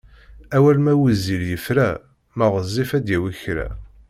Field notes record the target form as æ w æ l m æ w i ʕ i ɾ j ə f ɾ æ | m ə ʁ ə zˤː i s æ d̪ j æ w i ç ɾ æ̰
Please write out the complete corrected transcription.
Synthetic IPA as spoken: æ w æ l m æ w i z i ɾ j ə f ɾ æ | m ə ʁ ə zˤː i f æ d̪ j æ w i ç ɾ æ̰

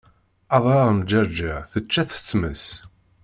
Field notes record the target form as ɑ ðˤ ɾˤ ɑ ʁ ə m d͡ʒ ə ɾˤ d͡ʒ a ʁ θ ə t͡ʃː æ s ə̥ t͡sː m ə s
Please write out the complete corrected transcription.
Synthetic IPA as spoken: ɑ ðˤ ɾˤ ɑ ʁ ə m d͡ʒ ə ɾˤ d͡ʒ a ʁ θ ə t͡ʃː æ θ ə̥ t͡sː m ə s

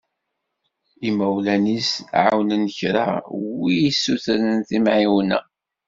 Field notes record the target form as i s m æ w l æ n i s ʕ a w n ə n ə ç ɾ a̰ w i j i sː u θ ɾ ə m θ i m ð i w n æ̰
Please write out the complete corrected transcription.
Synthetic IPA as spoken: i m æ w l æ n i s ʕ a w n ə n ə ç ɾ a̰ w i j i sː u θ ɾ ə n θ i m ʕ i w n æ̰

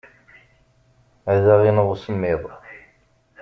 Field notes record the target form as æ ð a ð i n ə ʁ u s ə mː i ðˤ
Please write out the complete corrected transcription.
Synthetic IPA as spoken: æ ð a ʁ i n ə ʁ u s ə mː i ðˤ

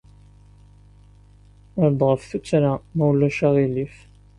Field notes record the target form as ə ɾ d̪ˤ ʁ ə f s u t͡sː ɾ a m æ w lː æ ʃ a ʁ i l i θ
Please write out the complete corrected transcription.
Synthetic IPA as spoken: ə ɾ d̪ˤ ʁ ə f θ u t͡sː ɾ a m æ w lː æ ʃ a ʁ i l i f

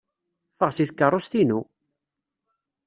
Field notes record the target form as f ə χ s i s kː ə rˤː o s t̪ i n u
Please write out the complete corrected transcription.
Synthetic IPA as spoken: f ə ʁ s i θ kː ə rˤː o s t̪ i n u

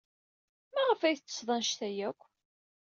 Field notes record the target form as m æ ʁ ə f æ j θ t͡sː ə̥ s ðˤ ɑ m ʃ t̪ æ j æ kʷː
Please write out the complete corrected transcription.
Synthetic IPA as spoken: m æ ʁ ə f æ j θ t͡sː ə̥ s ðˤ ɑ n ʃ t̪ æ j æ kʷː

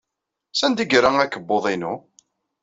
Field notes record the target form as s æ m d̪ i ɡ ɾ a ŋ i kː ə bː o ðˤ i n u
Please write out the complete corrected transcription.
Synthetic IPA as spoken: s æ n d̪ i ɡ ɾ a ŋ æ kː ə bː o ðˤ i n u

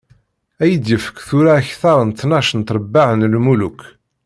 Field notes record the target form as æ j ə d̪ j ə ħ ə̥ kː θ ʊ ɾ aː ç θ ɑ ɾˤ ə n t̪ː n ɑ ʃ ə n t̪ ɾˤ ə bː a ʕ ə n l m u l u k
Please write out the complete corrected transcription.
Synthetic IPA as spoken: æ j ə d̪ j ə f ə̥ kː θ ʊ ɾ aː ç θ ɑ ɾˤ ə n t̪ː n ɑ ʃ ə n t̪ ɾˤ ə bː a ʕ ə n l m u l u k

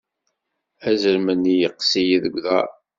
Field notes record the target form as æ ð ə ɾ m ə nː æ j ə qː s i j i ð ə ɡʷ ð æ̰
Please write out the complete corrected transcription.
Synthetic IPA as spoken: æ z ə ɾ m ə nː i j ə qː s i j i ð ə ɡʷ ð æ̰

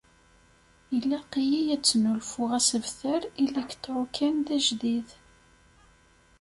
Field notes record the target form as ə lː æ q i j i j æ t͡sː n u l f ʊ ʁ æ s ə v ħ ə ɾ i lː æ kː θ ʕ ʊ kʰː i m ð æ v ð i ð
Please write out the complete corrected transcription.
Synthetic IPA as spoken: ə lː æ q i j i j æ t͡sː n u l f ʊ ʁ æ s ə v θ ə ɾ i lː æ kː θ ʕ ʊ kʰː æ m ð æ ʒ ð i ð

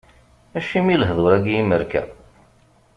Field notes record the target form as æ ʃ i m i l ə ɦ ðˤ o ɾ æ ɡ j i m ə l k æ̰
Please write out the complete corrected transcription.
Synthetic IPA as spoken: æ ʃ i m i l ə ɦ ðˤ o ɾ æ ɡ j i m ə ɾ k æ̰

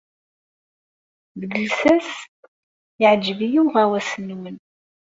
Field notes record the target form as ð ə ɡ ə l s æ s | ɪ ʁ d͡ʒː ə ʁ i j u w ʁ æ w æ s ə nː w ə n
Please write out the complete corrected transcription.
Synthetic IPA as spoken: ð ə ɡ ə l s æ s | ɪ ʕ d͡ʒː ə v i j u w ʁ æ w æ s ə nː w ə n

